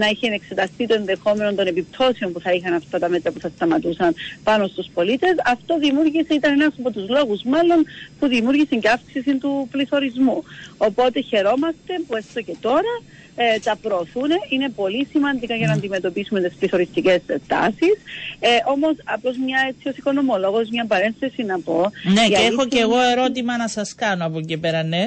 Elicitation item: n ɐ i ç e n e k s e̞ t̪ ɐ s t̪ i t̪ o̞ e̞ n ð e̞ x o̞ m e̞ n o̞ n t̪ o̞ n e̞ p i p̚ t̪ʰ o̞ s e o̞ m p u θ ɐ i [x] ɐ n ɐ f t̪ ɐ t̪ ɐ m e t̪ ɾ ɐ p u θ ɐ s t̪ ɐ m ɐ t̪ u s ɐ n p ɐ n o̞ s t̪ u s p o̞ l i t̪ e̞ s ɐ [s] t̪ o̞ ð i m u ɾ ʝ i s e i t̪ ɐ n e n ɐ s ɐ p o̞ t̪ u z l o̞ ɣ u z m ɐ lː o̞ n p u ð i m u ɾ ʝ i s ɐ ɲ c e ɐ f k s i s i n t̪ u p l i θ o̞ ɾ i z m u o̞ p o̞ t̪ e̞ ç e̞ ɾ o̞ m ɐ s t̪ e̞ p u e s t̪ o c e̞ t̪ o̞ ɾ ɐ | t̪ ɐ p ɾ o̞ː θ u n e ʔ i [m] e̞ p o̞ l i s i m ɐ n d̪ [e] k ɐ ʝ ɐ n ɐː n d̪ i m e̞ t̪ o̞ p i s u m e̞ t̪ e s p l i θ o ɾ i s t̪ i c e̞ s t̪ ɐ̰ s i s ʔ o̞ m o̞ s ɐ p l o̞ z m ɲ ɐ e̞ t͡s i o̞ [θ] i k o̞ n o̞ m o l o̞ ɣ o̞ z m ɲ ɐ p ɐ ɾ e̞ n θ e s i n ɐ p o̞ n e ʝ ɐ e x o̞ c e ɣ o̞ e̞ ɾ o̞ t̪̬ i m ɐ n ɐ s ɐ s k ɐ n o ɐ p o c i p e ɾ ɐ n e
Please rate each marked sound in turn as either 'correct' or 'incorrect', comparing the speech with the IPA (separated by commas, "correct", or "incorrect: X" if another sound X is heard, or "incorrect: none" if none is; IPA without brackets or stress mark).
correct, incorrect: f, incorrect: n, incorrect: i, incorrect: s